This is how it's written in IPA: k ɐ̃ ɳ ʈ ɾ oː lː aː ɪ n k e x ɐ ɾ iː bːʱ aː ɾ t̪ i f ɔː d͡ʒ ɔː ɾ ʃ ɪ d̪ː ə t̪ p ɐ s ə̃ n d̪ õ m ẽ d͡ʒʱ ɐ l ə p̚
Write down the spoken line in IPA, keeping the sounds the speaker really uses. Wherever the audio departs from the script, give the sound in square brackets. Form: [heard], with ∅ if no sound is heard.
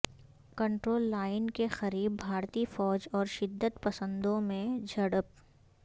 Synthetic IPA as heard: k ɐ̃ ɳ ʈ ɾ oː lː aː ɪ n k e x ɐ ɾ iː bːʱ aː ɾ t̪ i f ɔː d͡ʒ ɔː ɾ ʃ ɪ d̪ː ə t̪ p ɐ s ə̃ n d̪ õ m ẽ d͡ʒʱ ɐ [ɽ] ə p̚

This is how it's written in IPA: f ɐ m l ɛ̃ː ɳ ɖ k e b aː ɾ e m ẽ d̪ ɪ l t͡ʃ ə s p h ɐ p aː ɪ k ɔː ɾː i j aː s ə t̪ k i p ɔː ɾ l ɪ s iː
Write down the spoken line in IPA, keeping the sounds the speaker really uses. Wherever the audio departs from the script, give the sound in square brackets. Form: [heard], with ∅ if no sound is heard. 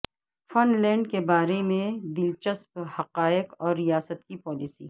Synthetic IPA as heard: f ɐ [n] l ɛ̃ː ɳ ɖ k e b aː ɾ e m ẽ d̪ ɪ l t͡ʃ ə s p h ɐ [q] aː ɪ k ɔː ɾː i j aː s ə t̪ k i p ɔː [∅] l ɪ s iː

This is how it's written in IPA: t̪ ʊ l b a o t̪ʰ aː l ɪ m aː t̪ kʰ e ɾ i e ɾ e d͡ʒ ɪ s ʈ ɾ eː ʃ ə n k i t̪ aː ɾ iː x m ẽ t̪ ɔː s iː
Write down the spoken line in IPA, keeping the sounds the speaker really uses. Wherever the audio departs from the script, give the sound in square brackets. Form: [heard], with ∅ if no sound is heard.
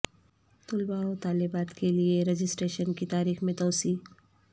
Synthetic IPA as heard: t̪ ʊ l b a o [t̪] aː l ɪ [b] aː t̪ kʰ e [l] i e ɾ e d͡ʒ ɪ s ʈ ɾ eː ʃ ə n k i t̪ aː ɾ iː x m ẽ t̪ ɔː s iː

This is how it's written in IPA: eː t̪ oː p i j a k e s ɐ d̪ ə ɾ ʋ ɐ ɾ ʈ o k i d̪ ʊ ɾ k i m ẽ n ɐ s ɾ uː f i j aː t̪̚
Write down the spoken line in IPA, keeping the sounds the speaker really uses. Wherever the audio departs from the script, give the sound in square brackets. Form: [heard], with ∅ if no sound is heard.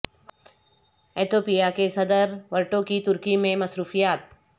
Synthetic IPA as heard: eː t̪ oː p i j a k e s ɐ d̪ ə ɾ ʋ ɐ ɾ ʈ o k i [t̪] ʊ ɾ k i m ẽ [m] ɐ s ɾ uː f i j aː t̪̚

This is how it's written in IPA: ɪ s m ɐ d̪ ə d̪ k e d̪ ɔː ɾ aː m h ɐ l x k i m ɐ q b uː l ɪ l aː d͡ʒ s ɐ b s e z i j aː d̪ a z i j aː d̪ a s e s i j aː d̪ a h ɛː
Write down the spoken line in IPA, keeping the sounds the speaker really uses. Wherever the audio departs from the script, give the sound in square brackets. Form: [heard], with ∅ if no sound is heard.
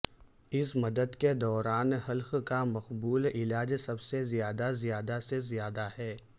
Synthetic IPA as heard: ɪ s m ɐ d̪ ə d̪ k e d̪ ɔː ɾ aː [n] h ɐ l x k [a] m ɐ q b uː l ɪ l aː d͡ʒ s ɐ b s e z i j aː d̪ a z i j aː d̪ a s e [z] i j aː d̪ a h ɛː

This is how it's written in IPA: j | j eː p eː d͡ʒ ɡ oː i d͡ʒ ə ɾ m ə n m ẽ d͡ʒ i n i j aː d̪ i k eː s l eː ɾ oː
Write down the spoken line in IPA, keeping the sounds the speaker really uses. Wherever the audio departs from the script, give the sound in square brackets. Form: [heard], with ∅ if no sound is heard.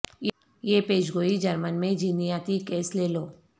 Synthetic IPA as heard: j | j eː p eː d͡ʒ ɡ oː i d͡ʒ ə ɾ m ə n m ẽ d͡ʒ i n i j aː [t̪] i k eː s l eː [l] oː

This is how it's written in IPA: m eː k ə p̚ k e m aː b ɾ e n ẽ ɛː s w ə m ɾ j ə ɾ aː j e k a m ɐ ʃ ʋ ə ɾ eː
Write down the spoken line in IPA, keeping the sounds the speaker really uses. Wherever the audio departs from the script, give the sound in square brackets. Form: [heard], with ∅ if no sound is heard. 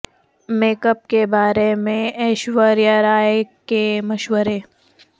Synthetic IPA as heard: m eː k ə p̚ k e [b] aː [∅] ɾ e [m] ẽ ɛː [ʃ] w ə [∅] ɾ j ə ɾ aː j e k [e] m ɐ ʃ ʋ ə ɾ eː

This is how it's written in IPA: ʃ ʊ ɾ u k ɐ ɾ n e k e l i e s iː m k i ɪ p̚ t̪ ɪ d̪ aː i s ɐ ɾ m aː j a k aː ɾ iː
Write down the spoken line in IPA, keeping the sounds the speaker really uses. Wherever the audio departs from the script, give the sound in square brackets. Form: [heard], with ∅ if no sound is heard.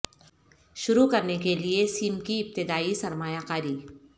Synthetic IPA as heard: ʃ ʊ ɾ u k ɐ ɾ n e k e l i e s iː m k i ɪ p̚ t̪ ɪ d̪ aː i s ɐ ɾ m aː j a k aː ɾ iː

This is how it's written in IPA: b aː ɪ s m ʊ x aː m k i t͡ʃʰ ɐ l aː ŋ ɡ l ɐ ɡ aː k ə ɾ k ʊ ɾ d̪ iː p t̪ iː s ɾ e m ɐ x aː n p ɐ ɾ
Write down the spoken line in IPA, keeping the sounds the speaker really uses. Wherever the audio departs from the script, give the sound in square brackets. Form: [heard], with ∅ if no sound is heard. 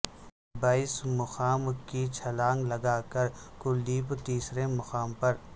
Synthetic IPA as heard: b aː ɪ s m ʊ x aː m k i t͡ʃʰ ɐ l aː ŋ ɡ l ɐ ɡ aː k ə ɾ k ʊ [l] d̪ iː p t̪ iː s ɾ e m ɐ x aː [m] p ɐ ɾ

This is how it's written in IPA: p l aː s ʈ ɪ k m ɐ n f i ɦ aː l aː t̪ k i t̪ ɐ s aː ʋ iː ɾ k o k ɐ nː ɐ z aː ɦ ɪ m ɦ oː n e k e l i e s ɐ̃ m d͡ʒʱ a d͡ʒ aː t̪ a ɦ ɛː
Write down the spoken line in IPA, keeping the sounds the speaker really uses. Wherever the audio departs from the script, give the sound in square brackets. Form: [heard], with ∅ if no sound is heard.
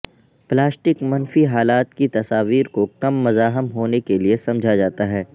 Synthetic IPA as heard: p l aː s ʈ ɪ k m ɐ n f i ɦ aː l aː t̪ k i t̪ ɐ s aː ʋ iː ɾ k o k ɐ [mː] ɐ z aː ɦ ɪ m ɦ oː n e k e l i e s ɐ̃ m d͡ʒʱ a d͡ʒ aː t̪ a ɦ ɛː

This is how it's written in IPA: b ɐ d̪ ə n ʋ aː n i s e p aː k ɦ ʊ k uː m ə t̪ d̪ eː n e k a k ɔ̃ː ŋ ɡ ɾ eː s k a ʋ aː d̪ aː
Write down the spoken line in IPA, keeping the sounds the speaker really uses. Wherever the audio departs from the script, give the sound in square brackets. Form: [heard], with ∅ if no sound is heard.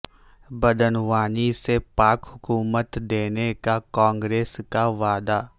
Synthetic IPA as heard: b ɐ d̪ ə n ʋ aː n i s e p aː k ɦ ʊ k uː m ə t̪ d̪ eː n e k a k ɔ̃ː ŋ ɡ ɾ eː s k a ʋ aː d̪ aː

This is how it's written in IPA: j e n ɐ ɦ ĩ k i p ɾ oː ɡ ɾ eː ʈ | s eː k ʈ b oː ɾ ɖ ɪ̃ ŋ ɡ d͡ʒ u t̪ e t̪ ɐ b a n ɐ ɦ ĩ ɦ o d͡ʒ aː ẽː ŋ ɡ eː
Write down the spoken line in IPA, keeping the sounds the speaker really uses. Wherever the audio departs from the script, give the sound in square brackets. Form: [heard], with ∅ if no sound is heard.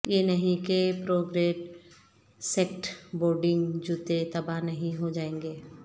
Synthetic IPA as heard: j e n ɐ ɦ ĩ k [e] p ɾ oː ɡ ɾ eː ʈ | s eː k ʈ b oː ɾ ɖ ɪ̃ ŋ ɡ d͡ʒ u t̪ e t̪ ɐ b a n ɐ ɦ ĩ ɦ o d͡ʒ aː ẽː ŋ ɡ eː

